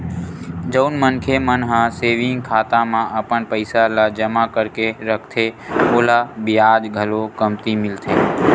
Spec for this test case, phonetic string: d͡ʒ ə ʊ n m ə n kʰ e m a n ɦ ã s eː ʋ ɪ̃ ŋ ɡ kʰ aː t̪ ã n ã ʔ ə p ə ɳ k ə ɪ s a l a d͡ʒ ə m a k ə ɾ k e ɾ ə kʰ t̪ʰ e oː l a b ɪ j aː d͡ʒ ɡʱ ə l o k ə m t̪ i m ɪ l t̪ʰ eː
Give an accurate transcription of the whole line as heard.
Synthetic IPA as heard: d͡ʒ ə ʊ n m ə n kʰ e m ə n ɦ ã s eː ʋ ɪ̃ ŋ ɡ kʰ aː t̪ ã m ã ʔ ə p ə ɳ p ə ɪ s a l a d͡ʒ ə m a k ə ɾ k e ɾ ə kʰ t̪ʰ e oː l a b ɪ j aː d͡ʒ ɡʱ ə l o k ə m t̪ i m ɪ l t̪ʰ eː